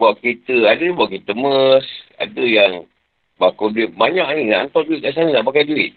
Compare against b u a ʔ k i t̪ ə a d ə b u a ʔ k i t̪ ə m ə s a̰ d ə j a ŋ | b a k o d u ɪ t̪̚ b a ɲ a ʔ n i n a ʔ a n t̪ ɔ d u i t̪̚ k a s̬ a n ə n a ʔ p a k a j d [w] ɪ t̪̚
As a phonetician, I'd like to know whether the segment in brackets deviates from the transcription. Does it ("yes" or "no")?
yes